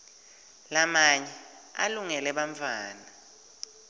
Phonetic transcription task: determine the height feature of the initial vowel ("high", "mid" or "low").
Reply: low